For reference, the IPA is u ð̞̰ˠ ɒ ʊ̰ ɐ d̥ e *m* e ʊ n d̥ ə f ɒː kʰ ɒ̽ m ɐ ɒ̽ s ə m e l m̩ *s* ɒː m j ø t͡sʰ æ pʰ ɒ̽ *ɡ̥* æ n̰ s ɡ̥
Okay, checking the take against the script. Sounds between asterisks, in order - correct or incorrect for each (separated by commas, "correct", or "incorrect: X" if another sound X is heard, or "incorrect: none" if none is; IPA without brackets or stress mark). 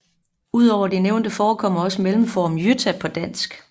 incorrect: n, incorrect: f, incorrect: d̥